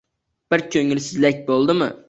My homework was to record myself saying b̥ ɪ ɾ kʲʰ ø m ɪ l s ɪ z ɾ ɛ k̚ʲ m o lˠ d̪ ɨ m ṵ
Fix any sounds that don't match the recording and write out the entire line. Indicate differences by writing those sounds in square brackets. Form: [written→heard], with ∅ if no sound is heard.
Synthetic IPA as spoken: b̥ ɪ ɾ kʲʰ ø [m→ŋ] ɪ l s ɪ z [ɾ→l] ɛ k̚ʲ [m→b] o lˠ d̪ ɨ m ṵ